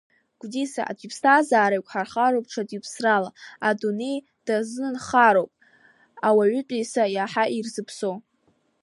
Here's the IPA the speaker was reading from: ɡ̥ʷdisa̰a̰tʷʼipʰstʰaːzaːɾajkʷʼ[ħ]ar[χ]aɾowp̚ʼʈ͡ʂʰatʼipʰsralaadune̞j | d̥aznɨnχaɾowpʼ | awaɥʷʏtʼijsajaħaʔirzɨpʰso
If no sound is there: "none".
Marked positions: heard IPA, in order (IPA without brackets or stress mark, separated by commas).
ħ, χ